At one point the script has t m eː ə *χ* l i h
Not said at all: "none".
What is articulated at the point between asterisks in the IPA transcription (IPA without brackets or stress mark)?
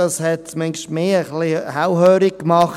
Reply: χ